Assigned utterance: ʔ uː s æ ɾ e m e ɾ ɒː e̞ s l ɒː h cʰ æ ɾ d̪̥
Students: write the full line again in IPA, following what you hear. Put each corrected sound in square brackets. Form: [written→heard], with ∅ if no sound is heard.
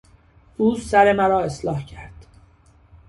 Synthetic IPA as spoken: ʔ uː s æ ɾ e m [e→æ] ɾ ɒː e̞ s l ɒː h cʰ æ ɾ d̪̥